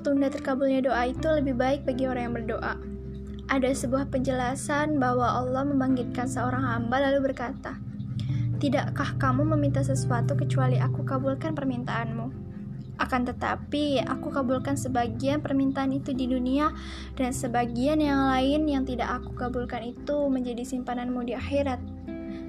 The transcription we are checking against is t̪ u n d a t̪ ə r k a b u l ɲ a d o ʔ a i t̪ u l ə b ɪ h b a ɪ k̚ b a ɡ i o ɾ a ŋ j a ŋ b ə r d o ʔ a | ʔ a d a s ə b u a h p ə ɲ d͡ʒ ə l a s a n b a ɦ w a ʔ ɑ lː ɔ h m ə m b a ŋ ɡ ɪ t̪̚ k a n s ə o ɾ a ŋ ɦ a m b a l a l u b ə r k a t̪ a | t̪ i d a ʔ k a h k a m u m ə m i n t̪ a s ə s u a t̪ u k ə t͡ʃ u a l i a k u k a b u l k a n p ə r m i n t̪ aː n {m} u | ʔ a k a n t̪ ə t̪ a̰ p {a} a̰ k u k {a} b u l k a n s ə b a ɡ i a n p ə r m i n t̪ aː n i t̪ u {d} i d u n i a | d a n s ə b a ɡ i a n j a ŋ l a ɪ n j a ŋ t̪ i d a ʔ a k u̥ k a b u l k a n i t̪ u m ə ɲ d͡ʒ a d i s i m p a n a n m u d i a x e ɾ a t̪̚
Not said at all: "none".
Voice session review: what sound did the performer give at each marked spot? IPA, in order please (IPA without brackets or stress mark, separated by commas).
m, i, a, d